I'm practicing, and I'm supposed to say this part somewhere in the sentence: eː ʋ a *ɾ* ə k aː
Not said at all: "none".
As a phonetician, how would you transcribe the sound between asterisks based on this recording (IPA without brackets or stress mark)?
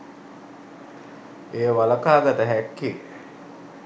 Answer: l